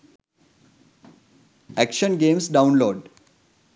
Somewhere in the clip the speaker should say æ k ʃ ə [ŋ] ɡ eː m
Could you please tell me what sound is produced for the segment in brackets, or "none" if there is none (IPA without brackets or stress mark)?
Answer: n